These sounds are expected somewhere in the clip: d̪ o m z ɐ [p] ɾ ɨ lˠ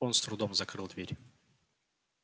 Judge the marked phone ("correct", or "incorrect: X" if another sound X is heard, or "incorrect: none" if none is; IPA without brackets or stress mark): incorrect: k